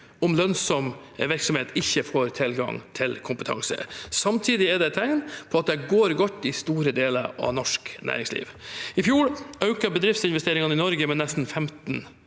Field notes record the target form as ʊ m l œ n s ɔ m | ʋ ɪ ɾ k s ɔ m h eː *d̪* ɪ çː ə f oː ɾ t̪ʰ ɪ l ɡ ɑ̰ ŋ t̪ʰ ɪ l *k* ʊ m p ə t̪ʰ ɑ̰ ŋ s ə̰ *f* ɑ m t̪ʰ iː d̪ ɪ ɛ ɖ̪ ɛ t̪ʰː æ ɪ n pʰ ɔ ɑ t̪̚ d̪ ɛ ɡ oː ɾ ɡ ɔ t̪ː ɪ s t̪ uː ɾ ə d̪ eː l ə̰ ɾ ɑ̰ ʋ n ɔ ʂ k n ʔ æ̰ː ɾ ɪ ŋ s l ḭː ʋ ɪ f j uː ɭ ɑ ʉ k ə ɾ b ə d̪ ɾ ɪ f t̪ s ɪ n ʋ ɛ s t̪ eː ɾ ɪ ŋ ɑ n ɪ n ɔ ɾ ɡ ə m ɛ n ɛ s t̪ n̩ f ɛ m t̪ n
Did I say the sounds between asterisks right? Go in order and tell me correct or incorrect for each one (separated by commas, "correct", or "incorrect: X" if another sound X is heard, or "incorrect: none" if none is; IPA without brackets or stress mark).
incorrect: t̪, incorrect: kʰ, incorrect: s